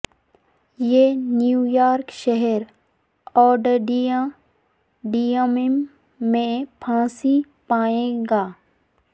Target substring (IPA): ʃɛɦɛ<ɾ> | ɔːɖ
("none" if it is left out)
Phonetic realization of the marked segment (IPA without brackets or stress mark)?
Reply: ɾ